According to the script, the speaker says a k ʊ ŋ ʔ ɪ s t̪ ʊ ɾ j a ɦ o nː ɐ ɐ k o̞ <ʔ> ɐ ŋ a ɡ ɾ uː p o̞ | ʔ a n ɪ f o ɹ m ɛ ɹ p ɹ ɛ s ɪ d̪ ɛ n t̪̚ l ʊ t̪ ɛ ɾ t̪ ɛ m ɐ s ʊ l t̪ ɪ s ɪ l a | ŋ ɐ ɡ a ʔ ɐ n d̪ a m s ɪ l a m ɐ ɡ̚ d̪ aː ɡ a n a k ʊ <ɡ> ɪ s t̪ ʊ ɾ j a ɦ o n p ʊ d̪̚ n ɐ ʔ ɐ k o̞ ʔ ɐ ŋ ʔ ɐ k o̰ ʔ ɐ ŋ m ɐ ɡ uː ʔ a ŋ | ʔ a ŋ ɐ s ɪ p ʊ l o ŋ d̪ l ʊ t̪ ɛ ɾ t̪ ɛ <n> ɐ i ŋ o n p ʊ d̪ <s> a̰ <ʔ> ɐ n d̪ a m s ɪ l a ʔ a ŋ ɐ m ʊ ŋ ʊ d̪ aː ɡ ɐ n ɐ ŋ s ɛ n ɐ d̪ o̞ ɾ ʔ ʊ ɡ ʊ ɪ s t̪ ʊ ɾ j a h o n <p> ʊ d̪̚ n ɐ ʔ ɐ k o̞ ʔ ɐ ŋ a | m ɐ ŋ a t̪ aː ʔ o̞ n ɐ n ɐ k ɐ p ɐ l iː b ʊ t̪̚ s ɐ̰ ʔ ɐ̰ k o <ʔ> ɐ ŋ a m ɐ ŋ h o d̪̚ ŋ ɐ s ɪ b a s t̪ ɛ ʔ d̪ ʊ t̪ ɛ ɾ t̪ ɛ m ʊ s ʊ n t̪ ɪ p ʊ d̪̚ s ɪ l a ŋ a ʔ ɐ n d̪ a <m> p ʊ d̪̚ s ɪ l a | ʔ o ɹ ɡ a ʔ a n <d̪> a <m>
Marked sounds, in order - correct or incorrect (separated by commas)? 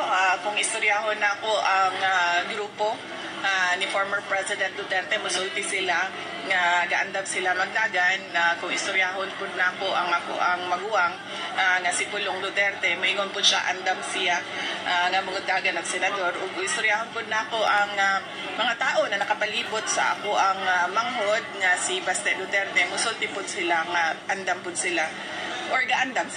correct, incorrect, incorrect, incorrect, correct, correct, correct, correct, correct, correct